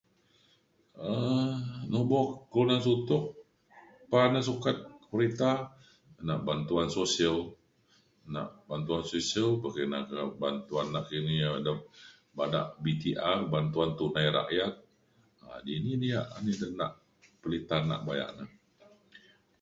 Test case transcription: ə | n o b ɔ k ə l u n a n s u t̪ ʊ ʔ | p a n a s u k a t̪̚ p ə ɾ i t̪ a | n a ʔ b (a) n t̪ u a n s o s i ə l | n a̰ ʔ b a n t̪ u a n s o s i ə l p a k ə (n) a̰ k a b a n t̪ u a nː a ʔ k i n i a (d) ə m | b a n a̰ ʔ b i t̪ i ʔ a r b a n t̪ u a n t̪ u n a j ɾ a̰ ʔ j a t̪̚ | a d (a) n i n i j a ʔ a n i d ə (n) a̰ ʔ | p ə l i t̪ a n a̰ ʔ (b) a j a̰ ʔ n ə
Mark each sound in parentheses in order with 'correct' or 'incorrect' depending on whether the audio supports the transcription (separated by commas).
correct, correct, correct, incorrect, correct, correct